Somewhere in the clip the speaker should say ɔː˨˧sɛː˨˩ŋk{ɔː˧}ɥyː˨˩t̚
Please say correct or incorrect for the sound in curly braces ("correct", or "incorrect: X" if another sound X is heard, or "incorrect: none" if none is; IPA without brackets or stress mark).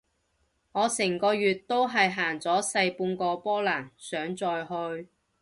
correct